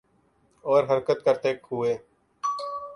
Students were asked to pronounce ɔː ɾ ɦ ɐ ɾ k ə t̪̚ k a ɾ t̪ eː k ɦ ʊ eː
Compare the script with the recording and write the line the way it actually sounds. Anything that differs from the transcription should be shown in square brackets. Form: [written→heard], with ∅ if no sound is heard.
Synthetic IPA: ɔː ɾ ɦ [ɐ→ə] ɾ k ə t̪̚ k [a→ə] ɾ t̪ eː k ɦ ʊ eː